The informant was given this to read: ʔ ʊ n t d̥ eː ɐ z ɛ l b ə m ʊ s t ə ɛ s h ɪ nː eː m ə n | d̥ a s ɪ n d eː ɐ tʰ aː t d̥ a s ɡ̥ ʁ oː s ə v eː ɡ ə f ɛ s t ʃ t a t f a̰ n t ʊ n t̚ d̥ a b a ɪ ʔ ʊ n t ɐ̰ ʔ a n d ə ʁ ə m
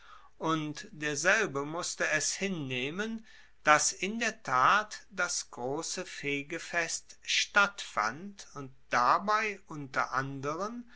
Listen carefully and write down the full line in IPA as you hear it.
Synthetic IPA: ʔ ʊ n t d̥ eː ɐ z ɛ l b ə m ʊ s t ə ɛ s h ɪ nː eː m ə n | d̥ a s ɪ n d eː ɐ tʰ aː t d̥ a s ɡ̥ ʁ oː s ə f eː ɡ ə f ɛ s t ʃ t a t f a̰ n t ʊ n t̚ d̥ a b a ɪ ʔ ʊ n t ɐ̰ ʔ a n d ə ʁ ə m

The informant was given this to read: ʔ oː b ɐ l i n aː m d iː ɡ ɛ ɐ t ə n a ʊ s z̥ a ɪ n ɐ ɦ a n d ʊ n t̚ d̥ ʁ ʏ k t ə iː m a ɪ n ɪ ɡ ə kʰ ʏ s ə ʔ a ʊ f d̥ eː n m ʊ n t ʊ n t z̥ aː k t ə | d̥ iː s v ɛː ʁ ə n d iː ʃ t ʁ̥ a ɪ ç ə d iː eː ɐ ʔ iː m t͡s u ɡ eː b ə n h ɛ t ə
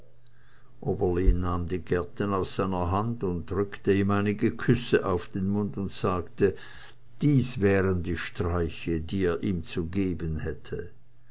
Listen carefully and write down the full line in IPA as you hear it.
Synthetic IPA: ʔ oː b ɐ l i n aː m d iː ɡ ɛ ɐ t ə n a ʊ s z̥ a ɪ n ɐ ɦ a n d ʊ n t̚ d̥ ʁ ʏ k t ə iː m a ɪ n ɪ ɡ ə kʰ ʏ s ə ʔ a ʊ f d̥ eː n m ʊ n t ʊ n t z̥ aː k t ə | d̥ iː s v ɛː ʁ ə n d iː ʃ t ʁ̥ a ɪ ç ə d iː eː ɐ ʔ iː m t͡s u ɡ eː b ə n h ɛ tʰ ə

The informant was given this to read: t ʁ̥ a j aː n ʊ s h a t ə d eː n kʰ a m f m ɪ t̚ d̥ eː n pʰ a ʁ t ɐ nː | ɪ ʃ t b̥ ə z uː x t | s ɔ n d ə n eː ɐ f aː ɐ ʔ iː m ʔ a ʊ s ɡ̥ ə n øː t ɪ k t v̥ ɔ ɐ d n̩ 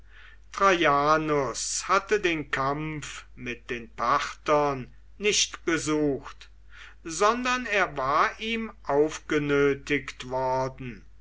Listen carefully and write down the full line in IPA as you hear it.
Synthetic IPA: t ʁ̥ a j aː n ʊ s h a t ə d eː n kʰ a m f m ɪ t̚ d̥ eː n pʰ a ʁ t ɐ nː | ɪ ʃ t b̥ ə z uː x t | z ɔ n d ɐ n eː ɐ v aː ɐ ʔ iː m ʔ a ʊ f ɡ̥ ə n øː t ɪ k t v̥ ɔ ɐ d n̩

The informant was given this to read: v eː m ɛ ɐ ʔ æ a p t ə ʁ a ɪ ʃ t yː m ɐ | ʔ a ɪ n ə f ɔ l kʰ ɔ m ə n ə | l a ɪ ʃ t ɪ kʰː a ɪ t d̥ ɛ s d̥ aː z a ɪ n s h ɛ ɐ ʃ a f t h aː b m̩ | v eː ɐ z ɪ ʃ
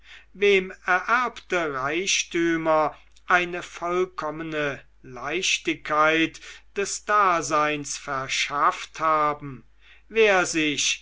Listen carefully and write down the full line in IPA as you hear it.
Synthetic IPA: v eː m ɛ ɐ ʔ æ ɐ p t ə ʁ a ɪ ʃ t yː m ɐ | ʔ a ɪ n ə f ɔ l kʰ ɔ m ə n ə | l a ɪ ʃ t ɪ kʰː a ɪ t d̥ ɛ s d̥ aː z a ɪ n s f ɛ ɐ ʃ a f t h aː b m̩ | v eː ɐ z ɪ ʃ

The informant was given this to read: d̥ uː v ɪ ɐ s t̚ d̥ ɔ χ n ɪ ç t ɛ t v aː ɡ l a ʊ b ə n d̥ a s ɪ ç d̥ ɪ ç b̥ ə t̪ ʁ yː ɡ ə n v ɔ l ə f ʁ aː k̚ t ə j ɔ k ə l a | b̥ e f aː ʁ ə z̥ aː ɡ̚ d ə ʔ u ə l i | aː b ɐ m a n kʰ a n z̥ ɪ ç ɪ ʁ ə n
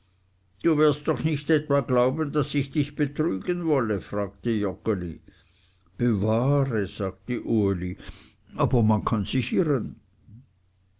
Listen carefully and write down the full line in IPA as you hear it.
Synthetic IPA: d̥ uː v ɪ ɐ s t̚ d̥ ɔ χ n ɪ ç t ɛ t v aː ɡ l a ʊ b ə n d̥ a s ɪ ç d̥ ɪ ç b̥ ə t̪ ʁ yː ɡ ə n v ɔ l ə f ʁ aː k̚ t ə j ɔ k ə l i | b̥ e v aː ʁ ə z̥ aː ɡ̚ t ə ʔ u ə l i | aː b ɐ m a n kʰ a n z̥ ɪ ç ɪ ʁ ə n

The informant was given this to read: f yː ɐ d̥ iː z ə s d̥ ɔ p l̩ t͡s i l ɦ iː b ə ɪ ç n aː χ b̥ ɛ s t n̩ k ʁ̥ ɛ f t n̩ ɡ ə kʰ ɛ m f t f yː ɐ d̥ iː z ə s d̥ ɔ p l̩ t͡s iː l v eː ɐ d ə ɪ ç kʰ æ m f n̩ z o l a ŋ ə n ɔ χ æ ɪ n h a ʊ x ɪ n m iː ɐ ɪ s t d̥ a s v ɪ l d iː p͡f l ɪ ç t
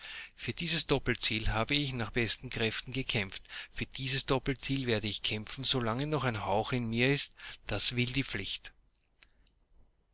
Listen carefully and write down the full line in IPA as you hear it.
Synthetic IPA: f yː ɐ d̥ iː z ə s d̥ ɔ p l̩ t͡s iː l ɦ aː b ə ɪ ç n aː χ b̥ ɛ s t n̩ k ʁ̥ ɛ f t n̩ ɡ ə kʰ ɛ m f t f yː ɐ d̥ iː z ə s d̥ ɔ p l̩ t͡s iː l v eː ɐ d ə ɪ ç kʰ ɛ m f n̩ z o l a ŋ ə n ɔ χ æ ɪ n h a ʊ x ɪ n m iː ɐ ɪ s t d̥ a s v ɪ l d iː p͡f l ɪ ç t

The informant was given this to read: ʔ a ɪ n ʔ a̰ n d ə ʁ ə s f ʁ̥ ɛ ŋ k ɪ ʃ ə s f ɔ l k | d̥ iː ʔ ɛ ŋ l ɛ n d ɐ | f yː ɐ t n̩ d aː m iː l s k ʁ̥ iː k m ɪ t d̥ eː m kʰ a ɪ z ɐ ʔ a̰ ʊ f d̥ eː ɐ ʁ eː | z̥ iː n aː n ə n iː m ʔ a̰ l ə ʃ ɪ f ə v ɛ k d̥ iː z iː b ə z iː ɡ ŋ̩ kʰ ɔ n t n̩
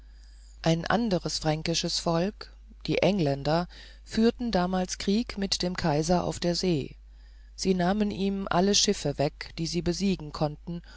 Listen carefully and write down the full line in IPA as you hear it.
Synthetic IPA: ʔ a ɪ n ʔ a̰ n d ə ʁ ə s f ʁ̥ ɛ ŋ k ɪ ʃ ə s f ɔ l k | d̥ iː ʔ ɛ ŋ l ɛ n d ɐ | f yː ɐ t n̩ d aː m aː l s k ʁ̥ iː k m ɪ t d̥ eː m kʰ a ɪ z ɐ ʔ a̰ ʊ f d̥ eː ɐ z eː | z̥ iː n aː m ə n iː m ʔ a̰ l ə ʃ ɪ f ə v ɛ k d̥ iː z iː b ə z iː ɡ ŋ̩ kʰ ɔ n t n̩

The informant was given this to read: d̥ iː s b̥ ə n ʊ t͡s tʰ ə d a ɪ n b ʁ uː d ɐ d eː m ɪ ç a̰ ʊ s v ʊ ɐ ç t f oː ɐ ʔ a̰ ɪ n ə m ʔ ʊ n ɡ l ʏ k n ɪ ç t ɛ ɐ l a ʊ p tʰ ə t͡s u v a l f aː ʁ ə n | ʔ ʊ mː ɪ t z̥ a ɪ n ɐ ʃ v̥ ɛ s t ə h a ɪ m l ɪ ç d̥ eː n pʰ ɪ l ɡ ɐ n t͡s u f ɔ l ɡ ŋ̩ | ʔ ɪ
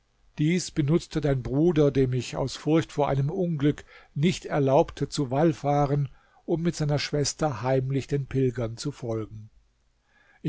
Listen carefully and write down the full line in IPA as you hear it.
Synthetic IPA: d̥ iː s b̥ ə n ʊ t͡s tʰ ə d a ɪ n b ʁ uː d ɐ d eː m ɪ ç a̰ ʊ s f ʊ ɐ ç t f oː ɐ ʔ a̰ ɪ n ə m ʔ ʊ n ɡ l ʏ k n ɪ ç t ɛ ɐ l a ʊ p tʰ ə t͡s u v a l f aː ʁ ə n | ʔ ʊ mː ɪ t z̥ a ɪ n ɐ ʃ v̥ ɛ s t ɐ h a ɪ m l ɪ ç d̥ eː n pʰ ɪ l ɡ ɐ n t͡s u f ɔ l ɡ ŋ̩ | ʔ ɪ

